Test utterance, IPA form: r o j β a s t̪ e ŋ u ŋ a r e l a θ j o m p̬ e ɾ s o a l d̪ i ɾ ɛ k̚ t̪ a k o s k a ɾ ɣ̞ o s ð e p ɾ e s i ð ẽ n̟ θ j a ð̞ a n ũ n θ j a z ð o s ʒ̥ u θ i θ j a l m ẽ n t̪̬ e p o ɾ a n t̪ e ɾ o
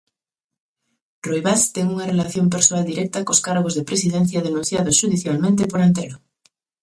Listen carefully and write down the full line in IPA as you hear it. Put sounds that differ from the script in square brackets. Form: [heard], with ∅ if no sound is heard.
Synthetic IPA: r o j β a s t̪ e ŋ u ŋ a r e l a θ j o m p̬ e ɾ s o a l d̪ i ɾ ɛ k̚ t̪ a k o s k a ɾ ɣ̞ o [z] ð e p ɾ e s i ð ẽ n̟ θ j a ð̞ [e] n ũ n θ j a [∅] ð o s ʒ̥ u [ð] i θ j a l m ẽ n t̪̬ e p o ɾ a n t̪ e ɾ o